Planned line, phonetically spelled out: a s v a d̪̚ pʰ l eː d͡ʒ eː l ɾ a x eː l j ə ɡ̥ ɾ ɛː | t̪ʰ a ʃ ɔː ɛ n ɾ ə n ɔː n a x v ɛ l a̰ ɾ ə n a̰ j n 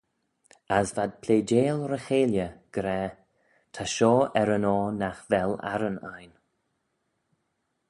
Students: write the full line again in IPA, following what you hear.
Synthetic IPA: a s v a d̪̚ pʰ l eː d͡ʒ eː l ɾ ə x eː l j ə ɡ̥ ɾ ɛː | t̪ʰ a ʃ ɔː ɛ ɾ ə n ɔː n a x v ɛ l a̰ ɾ ə n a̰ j n